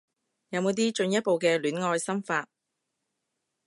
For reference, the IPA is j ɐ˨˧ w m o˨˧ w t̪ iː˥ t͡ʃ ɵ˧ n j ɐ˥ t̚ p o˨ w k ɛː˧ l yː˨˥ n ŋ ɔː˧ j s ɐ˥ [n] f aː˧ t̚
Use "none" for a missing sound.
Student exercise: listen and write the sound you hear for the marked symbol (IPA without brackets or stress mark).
m